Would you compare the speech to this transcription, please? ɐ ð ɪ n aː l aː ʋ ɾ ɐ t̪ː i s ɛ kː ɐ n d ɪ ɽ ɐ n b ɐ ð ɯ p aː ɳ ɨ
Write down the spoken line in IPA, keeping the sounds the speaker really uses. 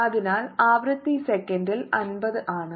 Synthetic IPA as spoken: ɐ ð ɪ n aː l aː ʋ ɾ ɐ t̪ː i s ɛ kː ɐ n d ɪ l ɐ n b ɐ ð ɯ ʔ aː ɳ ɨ